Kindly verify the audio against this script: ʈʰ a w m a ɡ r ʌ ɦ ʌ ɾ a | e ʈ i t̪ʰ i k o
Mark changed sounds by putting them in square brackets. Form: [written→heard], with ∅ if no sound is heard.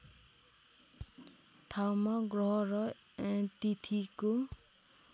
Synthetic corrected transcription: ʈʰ a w m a ɡ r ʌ ɦ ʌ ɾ [a→ʌ] | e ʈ i t̪ʰ i k o